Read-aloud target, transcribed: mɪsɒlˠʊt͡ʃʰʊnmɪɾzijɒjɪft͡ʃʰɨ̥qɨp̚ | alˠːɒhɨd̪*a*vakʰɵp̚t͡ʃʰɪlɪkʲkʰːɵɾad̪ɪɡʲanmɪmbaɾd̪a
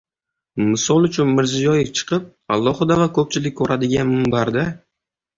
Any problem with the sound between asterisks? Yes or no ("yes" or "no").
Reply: no